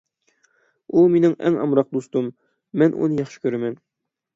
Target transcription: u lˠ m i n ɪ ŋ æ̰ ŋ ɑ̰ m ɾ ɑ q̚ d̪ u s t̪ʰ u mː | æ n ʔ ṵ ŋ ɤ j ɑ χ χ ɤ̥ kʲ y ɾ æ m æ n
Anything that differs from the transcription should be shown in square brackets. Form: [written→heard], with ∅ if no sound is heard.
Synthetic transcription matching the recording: u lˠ m i n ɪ ŋ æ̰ ŋ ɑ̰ m ɾ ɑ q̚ d̪ u s [t̪ʰ→t̪] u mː | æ n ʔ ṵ [ŋ→n] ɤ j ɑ χ [χ→ʃ] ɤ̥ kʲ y ɾ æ m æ n